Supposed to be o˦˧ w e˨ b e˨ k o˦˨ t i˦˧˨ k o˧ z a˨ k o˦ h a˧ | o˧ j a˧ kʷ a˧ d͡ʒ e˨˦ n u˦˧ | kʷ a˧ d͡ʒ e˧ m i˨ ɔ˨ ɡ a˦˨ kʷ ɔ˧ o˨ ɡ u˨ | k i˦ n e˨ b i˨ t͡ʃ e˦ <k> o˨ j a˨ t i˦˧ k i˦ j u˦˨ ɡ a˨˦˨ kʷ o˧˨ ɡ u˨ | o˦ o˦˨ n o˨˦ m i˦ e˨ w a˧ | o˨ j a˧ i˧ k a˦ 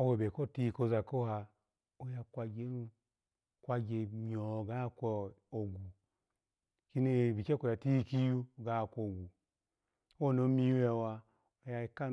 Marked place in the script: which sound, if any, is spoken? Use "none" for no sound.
k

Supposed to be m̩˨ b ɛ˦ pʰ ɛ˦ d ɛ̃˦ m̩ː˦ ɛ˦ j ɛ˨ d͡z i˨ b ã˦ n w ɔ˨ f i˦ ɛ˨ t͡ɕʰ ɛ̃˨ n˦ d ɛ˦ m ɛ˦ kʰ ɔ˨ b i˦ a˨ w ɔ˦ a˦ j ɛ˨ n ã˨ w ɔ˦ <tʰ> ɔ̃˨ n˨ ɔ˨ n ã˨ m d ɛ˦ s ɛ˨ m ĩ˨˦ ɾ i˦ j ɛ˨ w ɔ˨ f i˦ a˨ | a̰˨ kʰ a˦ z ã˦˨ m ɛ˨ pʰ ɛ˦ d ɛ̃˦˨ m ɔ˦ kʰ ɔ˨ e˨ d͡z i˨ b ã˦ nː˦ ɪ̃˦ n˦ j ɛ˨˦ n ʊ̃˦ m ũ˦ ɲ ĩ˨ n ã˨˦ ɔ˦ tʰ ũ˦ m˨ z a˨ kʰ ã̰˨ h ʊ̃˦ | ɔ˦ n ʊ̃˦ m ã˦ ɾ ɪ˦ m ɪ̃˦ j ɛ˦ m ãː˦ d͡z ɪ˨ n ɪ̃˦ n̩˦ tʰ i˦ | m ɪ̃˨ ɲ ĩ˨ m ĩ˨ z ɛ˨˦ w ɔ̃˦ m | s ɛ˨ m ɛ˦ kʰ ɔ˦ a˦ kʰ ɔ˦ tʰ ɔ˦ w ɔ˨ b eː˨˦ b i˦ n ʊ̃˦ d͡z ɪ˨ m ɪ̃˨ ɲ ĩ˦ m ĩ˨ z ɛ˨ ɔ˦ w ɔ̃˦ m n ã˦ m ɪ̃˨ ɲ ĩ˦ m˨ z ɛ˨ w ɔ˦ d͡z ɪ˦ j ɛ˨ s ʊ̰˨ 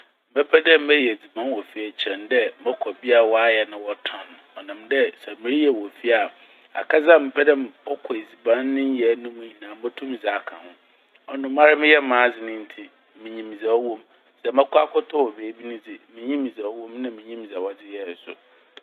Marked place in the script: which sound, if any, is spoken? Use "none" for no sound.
tʰ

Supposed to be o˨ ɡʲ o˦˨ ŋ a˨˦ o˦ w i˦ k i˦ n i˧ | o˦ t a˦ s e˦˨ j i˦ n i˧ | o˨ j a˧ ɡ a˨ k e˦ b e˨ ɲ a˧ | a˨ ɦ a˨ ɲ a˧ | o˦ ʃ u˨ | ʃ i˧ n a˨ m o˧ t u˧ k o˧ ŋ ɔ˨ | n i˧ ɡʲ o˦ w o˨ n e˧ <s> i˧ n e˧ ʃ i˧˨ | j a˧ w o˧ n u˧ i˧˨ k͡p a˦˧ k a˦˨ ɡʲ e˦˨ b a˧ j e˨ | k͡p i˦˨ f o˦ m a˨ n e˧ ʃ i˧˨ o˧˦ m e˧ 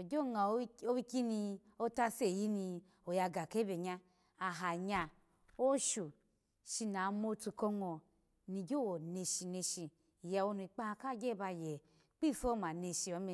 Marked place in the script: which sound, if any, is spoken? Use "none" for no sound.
ʃ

